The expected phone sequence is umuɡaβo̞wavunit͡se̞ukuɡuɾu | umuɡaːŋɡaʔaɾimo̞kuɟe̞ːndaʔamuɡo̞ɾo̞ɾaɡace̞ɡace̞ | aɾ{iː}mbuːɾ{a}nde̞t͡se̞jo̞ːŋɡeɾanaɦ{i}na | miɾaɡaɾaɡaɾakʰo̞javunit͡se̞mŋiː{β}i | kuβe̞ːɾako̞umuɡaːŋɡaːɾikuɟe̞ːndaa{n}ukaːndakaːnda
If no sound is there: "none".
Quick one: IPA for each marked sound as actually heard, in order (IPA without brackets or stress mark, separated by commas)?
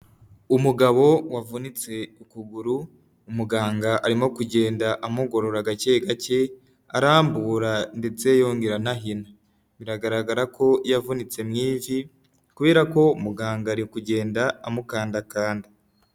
aː, a, i, v, m